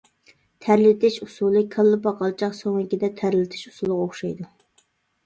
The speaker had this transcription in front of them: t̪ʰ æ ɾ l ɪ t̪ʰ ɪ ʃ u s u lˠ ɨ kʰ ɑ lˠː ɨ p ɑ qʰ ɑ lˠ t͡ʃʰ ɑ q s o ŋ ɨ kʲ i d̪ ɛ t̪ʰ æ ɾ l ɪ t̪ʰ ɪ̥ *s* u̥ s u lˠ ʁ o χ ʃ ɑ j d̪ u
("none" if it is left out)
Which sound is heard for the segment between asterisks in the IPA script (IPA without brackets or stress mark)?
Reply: ʃ